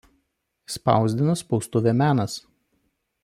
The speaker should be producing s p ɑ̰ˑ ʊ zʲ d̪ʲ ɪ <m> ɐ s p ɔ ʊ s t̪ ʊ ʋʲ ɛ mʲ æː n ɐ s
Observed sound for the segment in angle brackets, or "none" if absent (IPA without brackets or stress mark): n